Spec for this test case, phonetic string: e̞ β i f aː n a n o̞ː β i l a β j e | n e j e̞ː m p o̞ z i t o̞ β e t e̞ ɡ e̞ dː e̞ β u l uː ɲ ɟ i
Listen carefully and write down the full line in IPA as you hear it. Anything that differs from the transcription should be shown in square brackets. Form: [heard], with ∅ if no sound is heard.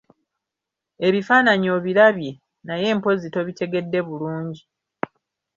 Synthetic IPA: e̞ β i f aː n a [ɲ] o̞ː β i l a β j e | n [a] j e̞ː m p o̞ z i t o̞ β [i] t e̞ ɡ e̞ dː e̞ β u l uː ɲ ɟ i